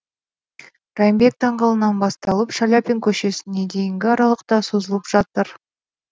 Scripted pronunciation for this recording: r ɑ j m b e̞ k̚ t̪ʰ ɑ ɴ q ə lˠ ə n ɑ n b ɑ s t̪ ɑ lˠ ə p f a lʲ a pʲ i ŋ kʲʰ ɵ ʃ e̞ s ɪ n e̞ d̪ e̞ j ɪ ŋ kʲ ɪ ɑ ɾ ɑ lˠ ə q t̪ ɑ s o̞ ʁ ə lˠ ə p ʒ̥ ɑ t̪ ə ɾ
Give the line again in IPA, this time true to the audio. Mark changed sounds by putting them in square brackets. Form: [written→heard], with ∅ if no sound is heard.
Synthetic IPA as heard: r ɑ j m b e̞ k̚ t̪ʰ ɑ ɴ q [ə→ɑ] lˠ ə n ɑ n b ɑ s t̪ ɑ lˠ ə p [f→ʃ] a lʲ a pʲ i ŋ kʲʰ ɵ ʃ e̞ s ɪ n e̞ d̪ e̞ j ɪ ŋ [kʲ→ɡʲ] ɪ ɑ ɾ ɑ lˠ ə q t̪ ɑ s o̞ [ʁ→z] ə lˠ ə p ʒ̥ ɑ t̪ ə ɾ